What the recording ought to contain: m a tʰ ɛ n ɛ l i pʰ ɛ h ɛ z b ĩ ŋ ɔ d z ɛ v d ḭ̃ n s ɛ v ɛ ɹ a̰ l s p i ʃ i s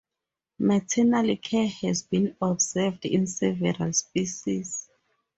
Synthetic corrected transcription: m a tʰ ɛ n a l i kʰ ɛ h ɛ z b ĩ n ɔ b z ɛ v d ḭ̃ n s ɛ v ɛ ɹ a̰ l s p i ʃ i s